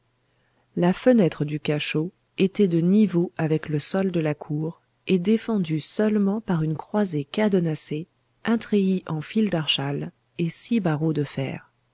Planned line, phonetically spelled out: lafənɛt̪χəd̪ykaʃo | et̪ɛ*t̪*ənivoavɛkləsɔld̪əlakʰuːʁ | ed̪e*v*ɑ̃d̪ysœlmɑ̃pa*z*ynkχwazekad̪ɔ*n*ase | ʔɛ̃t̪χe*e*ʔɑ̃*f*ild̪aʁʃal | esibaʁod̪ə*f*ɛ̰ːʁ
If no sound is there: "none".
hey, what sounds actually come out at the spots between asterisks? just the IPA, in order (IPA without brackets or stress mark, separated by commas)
d̪, f, ʁ, n, i, f, f